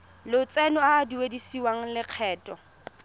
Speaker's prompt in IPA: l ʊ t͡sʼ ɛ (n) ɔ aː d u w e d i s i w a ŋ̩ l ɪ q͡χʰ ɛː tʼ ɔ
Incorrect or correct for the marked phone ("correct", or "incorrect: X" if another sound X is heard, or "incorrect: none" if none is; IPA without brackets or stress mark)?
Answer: correct